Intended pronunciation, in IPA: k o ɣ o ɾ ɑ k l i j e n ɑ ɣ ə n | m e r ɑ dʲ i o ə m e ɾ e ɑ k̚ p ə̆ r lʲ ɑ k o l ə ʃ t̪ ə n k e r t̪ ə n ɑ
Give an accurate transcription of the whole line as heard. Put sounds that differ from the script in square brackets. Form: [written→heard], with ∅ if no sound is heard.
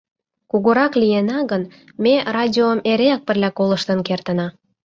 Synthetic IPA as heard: k [o→u] ɣ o ɾ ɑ k l i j e n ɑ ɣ ə n | m e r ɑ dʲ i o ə m e ɾ e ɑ k̚ p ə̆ r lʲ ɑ k o l ə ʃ t̪ ə n k e r t̪ ə n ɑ